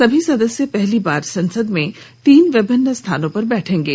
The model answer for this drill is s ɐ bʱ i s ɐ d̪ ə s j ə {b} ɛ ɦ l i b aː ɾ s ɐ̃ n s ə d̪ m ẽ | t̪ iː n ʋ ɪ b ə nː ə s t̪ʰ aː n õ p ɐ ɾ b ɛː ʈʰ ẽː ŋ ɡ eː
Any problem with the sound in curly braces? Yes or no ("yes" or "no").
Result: yes